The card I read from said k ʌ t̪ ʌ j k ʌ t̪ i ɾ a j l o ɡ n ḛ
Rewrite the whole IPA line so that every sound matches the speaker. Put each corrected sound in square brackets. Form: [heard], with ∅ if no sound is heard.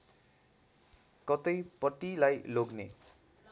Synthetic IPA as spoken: k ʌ t̪ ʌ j [p] ʌ t̪ i [l] a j l o ɡ n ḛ